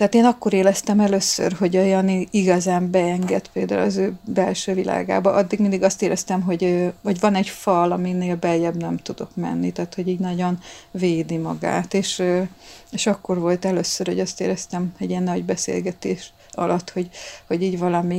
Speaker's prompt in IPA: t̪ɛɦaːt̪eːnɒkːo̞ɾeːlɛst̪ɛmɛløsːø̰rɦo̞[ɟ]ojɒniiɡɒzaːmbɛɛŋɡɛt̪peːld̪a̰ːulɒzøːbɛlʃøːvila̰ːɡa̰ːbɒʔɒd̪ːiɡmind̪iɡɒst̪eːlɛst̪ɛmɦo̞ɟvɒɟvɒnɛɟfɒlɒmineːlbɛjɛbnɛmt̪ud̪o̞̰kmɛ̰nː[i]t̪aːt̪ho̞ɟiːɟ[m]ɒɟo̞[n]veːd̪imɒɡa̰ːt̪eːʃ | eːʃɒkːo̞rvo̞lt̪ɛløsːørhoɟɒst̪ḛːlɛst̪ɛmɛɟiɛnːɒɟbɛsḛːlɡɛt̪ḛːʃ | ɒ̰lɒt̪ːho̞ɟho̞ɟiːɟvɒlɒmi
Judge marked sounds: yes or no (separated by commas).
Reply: yes, yes, no, yes